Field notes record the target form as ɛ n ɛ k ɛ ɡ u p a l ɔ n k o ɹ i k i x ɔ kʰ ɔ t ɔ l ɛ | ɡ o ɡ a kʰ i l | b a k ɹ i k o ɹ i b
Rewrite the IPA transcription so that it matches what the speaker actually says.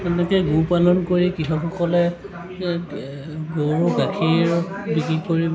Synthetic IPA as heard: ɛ n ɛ k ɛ ɡ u p a l ɔ n k o ɹ i k i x ɔ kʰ ɔ k ɔ l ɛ | ɡ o ɡ a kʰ i ɹ | b i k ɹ i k o ɹ i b